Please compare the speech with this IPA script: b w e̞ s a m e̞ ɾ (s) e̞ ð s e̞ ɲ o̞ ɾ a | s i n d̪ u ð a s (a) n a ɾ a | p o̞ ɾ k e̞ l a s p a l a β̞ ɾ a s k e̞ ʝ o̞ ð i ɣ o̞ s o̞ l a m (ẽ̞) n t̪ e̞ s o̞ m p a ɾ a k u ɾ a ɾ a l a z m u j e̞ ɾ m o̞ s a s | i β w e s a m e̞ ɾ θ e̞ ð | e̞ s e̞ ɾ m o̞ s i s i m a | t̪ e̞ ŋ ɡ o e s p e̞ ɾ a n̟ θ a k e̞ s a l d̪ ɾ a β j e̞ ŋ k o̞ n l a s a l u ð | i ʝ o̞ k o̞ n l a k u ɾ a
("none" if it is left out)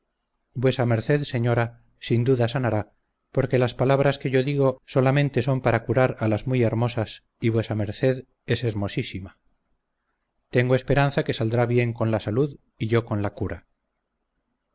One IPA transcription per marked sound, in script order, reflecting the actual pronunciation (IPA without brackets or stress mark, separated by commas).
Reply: θ, a, ẽ̞